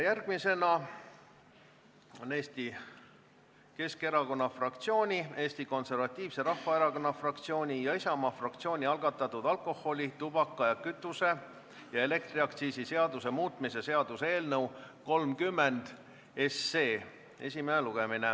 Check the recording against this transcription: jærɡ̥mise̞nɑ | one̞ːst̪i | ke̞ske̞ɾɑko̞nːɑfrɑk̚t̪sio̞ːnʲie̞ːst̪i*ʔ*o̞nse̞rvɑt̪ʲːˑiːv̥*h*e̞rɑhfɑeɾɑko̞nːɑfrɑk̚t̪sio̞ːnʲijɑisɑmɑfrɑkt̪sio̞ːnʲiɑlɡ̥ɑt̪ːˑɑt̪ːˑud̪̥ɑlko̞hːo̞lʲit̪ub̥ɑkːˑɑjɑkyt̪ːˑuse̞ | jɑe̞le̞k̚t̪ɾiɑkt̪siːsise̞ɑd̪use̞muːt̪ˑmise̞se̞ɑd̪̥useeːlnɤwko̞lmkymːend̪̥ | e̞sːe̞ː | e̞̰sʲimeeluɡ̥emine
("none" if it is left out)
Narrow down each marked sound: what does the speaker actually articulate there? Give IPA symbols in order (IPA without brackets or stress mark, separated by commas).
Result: k, s